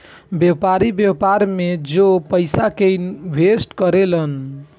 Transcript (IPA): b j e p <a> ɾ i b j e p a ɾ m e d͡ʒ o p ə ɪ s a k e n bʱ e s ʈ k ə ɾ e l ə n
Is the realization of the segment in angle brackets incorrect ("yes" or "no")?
no